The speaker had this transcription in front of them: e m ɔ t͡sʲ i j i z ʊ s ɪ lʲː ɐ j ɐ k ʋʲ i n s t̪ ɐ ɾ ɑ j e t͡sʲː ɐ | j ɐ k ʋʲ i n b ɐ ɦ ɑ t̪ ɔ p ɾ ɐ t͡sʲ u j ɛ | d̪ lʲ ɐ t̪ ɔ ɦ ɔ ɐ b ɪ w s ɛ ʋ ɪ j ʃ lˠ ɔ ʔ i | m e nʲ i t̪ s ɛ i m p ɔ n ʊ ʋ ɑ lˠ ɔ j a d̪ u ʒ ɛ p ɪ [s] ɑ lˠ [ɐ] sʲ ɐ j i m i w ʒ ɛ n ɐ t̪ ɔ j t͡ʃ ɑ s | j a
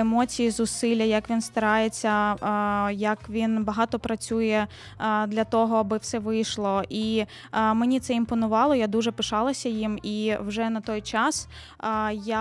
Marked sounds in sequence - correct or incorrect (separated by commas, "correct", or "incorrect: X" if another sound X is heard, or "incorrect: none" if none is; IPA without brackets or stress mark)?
incorrect: ʃ, correct